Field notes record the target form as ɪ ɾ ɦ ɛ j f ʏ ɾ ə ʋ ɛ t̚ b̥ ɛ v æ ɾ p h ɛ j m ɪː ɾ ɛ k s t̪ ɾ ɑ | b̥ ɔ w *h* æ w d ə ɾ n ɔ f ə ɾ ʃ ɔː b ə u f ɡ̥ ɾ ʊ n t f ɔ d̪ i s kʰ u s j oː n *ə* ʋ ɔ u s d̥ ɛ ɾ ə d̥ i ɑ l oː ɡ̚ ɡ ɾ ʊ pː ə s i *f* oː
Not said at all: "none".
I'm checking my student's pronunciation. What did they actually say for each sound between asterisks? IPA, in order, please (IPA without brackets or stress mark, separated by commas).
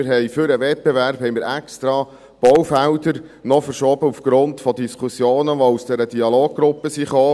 f, ə, χ